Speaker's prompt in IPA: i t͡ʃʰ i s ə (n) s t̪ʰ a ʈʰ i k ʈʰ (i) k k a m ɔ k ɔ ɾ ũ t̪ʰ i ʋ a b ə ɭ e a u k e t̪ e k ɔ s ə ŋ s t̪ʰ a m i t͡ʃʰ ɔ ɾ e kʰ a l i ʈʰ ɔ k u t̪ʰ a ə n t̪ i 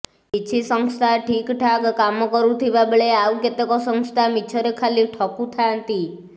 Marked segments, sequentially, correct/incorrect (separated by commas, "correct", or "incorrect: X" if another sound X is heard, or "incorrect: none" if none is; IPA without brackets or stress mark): incorrect: ŋ, incorrect: a